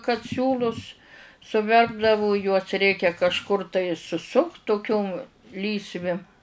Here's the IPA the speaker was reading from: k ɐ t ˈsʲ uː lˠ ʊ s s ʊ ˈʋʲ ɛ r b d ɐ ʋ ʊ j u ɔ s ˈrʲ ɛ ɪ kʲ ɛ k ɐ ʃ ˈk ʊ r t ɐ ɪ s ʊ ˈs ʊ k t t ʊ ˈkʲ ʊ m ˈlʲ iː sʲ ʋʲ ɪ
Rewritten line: k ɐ t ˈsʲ uː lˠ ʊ s s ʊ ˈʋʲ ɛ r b d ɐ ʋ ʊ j u ɔ s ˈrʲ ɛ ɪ kʲ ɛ k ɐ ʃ ˈk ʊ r t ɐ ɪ s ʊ ˈs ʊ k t t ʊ ˈkʲ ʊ m ˈlʲ iː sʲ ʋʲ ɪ